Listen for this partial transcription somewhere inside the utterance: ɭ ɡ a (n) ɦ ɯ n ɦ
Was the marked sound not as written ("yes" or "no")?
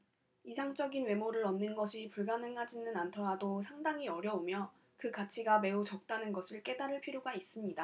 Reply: no